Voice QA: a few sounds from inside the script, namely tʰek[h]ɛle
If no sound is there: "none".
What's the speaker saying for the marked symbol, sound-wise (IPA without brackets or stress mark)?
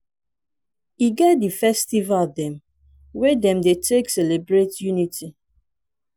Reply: s